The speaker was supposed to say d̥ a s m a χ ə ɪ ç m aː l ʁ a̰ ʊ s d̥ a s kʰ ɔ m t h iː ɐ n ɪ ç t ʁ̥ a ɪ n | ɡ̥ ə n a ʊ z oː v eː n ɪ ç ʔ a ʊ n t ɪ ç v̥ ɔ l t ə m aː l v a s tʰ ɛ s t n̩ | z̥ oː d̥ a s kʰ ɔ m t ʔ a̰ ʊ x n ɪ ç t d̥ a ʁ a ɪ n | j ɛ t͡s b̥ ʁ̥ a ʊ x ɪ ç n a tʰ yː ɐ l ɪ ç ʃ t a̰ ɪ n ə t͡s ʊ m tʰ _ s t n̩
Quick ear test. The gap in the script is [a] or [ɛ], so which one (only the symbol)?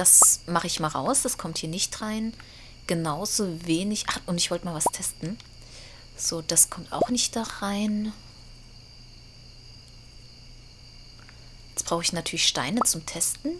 ɛ